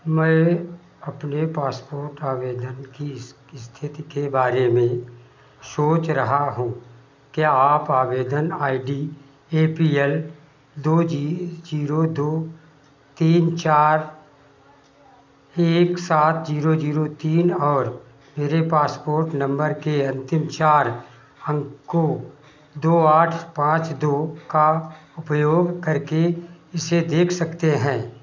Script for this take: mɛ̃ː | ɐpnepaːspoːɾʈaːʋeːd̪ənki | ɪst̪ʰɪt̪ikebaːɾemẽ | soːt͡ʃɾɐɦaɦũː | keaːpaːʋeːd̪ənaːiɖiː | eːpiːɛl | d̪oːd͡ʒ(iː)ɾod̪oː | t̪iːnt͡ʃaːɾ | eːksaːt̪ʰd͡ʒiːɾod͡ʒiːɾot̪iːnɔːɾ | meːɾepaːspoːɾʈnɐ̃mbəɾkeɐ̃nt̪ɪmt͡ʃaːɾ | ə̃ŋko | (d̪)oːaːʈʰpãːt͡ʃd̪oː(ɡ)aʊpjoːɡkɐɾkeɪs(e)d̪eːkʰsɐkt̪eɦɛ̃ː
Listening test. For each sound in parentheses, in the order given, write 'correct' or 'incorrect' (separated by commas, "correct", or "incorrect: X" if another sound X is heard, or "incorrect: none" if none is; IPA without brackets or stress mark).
correct, correct, incorrect: k, correct